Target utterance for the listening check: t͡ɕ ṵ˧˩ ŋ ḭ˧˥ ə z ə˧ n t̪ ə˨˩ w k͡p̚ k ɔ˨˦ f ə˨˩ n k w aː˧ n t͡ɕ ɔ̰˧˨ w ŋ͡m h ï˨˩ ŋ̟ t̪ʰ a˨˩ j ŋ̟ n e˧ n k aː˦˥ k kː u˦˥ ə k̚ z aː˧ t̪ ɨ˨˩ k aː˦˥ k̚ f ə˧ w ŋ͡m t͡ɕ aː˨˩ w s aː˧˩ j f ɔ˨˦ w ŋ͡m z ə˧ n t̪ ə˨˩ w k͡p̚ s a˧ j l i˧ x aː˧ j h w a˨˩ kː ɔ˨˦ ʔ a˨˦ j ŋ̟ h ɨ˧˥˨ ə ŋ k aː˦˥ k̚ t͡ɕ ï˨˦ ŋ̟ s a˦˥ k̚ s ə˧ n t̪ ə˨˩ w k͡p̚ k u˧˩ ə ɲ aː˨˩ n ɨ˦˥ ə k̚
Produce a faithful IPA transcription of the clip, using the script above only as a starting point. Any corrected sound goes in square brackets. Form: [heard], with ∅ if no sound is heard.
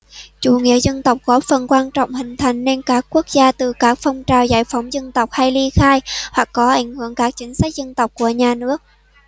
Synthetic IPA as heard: t͡ɕ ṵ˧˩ ŋ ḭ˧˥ ə z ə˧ n t̪ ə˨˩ w k͡p̚ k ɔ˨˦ f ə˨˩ n k w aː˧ n t͡ɕ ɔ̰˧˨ w ŋ͡m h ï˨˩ ŋ̟ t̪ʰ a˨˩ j ŋ̟ n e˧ n k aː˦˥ k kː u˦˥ ə k̚ z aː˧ t̪ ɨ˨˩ k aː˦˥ k̚ f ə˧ w ŋ͡m t͡ɕ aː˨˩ w [z] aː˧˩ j f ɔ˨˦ w ŋ͡m z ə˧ n t̪ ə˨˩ w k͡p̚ [h] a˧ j l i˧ x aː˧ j h w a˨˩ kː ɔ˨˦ ʔ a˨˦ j ŋ̟ h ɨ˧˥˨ ə ŋ k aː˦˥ k̚ t͡ɕ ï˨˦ ŋ̟ s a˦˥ k̚ [z] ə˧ n t̪ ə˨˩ w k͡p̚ k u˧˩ ə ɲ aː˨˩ n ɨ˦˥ ə k̚